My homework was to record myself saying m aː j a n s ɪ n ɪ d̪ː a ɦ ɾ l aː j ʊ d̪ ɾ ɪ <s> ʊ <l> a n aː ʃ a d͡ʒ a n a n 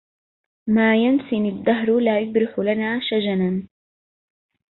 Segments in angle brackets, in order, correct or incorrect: incorrect, correct

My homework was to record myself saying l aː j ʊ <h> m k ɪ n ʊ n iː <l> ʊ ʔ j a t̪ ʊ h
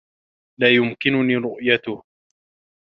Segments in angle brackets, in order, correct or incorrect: incorrect, incorrect

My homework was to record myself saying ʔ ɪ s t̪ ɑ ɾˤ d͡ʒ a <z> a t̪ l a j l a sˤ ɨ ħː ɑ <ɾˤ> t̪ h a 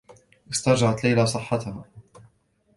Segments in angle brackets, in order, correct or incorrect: incorrect, incorrect

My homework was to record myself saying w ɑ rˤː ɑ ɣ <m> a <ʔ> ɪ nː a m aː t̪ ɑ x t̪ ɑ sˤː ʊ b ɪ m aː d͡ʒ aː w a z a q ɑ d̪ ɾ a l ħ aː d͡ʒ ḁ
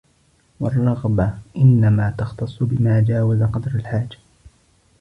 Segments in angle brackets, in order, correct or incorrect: incorrect, correct

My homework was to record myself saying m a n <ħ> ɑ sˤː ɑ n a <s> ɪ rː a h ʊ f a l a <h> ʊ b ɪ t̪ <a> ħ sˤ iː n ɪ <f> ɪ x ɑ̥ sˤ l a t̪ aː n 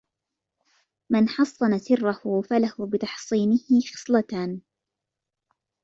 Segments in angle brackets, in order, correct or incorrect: correct, correct, correct, incorrect, incorrect

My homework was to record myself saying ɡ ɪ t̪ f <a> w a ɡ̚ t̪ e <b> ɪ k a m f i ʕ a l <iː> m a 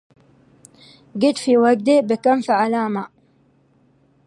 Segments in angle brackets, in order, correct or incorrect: incorrect, correct, incorrect

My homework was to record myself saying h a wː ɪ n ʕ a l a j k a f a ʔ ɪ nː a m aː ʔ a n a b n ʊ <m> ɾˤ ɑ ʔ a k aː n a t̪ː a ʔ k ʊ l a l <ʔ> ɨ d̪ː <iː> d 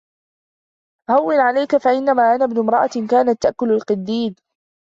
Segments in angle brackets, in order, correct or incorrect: correct, incorrect, correct

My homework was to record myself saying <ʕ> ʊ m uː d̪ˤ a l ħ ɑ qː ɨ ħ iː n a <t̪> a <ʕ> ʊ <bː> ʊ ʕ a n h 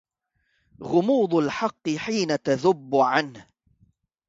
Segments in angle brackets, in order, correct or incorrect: incorrect, correct, incorrect, correct

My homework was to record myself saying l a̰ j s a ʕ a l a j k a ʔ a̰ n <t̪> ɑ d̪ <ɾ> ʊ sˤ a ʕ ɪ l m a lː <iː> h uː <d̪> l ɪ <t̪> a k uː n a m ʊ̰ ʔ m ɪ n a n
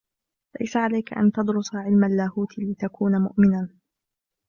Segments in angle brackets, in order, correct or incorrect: correct, correct, incorrect, incorrect, correct

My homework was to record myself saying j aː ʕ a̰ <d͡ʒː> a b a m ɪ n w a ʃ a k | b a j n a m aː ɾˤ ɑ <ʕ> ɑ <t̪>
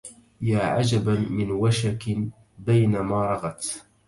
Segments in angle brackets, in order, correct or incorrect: incorrect, incorrect, correct

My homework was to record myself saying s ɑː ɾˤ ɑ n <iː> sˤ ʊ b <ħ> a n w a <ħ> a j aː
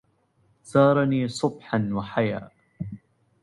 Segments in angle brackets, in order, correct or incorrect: correct, correct, correct

